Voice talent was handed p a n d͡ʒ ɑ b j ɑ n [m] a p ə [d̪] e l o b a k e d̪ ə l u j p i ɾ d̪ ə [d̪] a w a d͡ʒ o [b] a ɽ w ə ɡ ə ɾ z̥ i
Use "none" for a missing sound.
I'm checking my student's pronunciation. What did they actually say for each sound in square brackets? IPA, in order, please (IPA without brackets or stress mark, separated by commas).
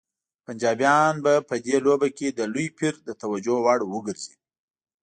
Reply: b, d̪, t̪, w